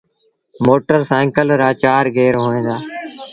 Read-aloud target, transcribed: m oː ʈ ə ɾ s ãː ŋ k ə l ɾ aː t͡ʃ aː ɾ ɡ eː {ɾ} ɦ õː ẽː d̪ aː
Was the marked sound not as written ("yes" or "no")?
no